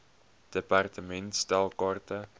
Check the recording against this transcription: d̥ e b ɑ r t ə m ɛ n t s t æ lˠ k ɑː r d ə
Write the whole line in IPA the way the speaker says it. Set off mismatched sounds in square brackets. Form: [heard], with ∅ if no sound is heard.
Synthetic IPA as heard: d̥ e [p] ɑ r t ə m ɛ n t s t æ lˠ k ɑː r [t] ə